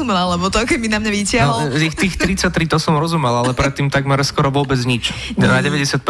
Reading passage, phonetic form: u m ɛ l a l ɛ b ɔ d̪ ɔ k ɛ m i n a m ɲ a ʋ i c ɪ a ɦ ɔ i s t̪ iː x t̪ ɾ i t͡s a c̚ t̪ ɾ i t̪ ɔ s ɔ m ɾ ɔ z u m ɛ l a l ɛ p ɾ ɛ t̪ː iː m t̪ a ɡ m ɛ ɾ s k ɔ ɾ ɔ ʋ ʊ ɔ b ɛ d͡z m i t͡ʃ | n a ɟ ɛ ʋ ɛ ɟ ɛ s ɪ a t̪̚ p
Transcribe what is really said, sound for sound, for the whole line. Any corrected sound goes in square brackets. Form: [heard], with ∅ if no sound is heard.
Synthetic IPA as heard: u m ɛ l a l ɛ b ɔ [t̪] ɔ k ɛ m i n a m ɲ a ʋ i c ɪ a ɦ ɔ i [x] t̪ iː x t̪ ɾ i t͡s a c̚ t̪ ɾ i t̪ ɔ s ɔ m ɾ ɔ z u m ɛ l a l ɛ p ɾ ɛ t̪ː iː m t̪ a ɡ m ɛ ɾ s k ɔ ɾ ɔ ʋ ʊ ɔ b ɛ d͡z [ɲ] i t͡ʃ | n a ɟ ɛ ʋ ɛ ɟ ɛ s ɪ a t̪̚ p